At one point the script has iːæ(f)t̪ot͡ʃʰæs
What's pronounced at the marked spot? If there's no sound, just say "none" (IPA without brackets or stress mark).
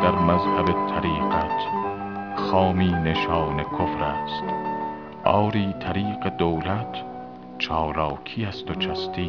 s